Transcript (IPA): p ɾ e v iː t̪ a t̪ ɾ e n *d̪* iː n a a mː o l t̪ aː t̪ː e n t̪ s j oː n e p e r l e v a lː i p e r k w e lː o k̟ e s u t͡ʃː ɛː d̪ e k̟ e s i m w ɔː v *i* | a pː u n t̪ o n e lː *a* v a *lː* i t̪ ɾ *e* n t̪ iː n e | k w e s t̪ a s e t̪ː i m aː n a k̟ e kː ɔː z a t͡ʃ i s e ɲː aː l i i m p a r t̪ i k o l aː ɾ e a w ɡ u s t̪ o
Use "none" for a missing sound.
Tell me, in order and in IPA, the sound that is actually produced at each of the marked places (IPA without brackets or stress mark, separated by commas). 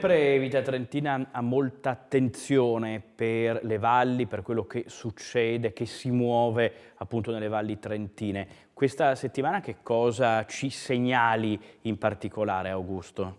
t̪, e, e, lː, e